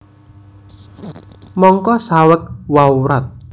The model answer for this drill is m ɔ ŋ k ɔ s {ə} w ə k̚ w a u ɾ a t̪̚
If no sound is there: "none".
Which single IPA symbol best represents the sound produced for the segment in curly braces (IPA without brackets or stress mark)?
a